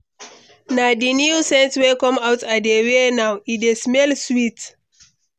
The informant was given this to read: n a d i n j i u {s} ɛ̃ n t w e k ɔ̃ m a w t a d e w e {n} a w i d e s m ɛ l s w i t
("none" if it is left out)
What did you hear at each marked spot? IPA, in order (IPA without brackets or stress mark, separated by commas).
s, n